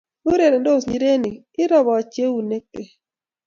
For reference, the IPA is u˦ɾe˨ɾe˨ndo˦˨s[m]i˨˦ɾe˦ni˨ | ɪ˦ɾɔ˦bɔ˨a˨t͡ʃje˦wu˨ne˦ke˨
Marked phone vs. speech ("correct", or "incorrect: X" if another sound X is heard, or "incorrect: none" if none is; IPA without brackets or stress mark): incorrect: ɲ